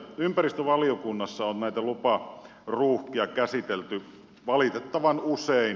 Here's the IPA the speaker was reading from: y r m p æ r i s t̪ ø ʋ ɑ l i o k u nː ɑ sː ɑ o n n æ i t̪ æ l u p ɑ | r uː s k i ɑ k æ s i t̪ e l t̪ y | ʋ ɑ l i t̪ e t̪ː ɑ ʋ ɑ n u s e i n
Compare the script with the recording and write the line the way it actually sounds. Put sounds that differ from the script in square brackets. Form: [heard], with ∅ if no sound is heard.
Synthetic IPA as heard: y [∅] m p æ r i s t̪ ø ʋ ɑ l i o k u nː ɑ sː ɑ o n n æ i t̪ æ l u p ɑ | r uː [h] k i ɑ k æ s i t̪ e l t̪ y | ʋ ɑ l i t̪ e t̪ː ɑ ʋ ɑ n u s e i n